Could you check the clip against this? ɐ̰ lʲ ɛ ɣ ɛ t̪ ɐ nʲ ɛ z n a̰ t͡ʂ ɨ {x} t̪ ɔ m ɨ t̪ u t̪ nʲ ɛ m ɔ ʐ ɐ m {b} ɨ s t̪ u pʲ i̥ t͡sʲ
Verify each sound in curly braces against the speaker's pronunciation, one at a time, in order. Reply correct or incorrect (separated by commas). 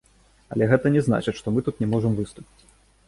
incorrect, incorrect